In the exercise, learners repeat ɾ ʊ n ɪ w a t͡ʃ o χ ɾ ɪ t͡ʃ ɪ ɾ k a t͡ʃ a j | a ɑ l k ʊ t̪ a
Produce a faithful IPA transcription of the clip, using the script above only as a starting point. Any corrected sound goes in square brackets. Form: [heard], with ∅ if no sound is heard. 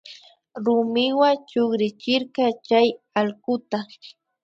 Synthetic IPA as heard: ɾ ʊ [m] ɪ w a t͡ʃ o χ ɾ ɪ t͡ʃ ɪ ɾ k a t͡ʃ a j | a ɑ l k ʊ t̪ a